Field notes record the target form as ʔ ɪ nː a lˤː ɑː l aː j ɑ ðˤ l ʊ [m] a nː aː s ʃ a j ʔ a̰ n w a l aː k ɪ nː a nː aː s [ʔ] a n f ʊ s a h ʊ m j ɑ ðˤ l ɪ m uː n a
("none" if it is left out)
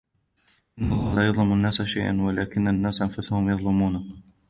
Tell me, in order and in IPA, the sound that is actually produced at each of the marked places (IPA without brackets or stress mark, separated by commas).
m, ʔ